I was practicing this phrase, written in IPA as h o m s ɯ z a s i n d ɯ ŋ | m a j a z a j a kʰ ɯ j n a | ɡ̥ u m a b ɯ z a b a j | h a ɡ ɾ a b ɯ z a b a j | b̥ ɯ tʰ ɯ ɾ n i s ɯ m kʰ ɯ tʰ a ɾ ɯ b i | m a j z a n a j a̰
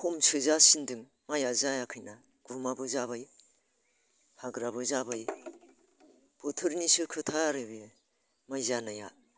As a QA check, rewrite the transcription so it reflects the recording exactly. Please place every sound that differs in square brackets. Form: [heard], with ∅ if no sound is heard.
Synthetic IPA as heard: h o m s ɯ z a s i n d ɯ ŋ | m a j a z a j a kʰ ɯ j n a | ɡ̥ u m a b ɯ z a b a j | h a ɡ ɾ a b ɯ z a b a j | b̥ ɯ tʰ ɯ ɾ n i s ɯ [∅] kʰ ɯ tʰ a ɾ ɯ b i | m a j z a n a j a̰